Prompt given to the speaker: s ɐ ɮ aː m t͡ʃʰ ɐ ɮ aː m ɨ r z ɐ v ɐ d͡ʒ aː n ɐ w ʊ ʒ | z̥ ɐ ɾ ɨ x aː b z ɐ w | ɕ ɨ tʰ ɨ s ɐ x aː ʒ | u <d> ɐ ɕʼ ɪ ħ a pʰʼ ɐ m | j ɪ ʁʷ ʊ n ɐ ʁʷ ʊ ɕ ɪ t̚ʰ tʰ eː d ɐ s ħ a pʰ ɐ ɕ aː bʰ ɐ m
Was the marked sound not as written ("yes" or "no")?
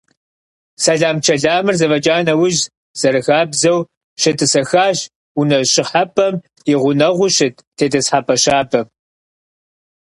yes